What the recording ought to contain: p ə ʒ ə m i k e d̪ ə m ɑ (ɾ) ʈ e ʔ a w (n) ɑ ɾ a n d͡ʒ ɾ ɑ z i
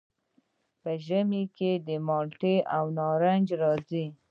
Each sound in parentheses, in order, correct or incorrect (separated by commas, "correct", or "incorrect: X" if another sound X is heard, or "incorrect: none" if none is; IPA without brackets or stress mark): incorrect: l, correct